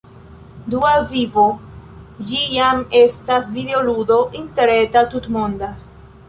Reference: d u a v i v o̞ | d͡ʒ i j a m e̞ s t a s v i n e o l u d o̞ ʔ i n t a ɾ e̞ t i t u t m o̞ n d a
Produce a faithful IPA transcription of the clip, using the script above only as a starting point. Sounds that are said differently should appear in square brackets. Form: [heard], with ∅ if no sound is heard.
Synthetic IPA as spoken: d u a v i v o̞ | d͡ʒ i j a m e̞ s t a s v i [d] e o l u d o̞ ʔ i n t [e] ɾ e̞ t [a] t u t m o̞ n d a